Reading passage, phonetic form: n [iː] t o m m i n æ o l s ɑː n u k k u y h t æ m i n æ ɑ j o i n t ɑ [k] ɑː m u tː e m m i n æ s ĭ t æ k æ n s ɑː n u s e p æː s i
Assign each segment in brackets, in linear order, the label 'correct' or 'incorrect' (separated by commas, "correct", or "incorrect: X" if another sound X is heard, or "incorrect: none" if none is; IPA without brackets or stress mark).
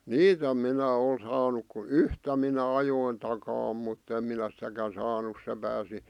correct, correct